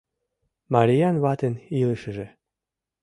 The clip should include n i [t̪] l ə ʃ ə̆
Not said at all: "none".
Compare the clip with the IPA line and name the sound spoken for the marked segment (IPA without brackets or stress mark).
none